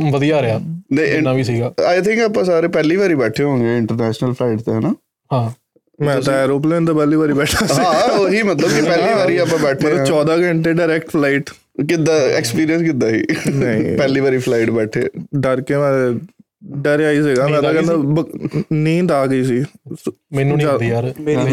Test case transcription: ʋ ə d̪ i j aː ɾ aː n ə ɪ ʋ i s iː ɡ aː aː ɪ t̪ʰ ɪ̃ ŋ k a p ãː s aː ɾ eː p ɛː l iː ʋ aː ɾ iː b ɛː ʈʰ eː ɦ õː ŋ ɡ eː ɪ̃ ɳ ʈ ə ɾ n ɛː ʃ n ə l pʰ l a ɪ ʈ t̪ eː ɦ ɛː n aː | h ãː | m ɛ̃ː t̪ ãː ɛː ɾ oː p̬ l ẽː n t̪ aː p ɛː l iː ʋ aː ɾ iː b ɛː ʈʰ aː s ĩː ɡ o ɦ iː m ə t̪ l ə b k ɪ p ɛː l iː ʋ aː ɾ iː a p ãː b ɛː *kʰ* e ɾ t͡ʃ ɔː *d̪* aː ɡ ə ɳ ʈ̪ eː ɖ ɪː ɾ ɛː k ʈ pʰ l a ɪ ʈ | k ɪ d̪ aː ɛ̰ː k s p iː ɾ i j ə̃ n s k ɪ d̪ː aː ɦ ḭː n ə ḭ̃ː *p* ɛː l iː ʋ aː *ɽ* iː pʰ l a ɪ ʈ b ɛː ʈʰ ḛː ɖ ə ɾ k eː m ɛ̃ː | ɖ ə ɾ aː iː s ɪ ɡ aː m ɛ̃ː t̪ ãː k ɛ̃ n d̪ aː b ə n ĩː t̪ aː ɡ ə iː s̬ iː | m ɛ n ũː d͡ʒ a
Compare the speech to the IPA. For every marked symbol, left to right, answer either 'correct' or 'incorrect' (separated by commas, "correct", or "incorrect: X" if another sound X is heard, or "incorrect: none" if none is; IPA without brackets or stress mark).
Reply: incorrect: ʈʰ, correct, correct, incorrect: ɾ